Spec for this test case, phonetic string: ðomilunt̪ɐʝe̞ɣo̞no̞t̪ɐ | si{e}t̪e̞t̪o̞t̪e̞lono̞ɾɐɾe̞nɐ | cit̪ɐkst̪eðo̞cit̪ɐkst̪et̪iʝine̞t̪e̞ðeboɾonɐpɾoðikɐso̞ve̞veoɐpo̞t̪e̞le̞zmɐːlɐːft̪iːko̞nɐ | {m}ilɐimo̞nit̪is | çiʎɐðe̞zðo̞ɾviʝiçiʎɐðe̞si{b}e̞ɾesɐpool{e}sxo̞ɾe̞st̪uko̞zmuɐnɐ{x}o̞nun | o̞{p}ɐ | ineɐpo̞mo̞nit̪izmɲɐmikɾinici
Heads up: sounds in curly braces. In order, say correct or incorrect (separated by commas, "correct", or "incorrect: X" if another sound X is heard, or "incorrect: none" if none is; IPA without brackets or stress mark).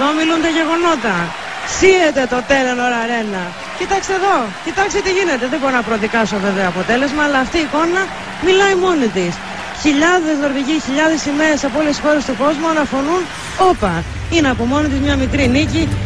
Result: correct, correct, incorrect: m, correct, incorrect: f, correct